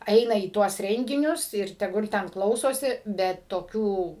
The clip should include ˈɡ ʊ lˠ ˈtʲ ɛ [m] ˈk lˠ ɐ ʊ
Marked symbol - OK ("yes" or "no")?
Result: no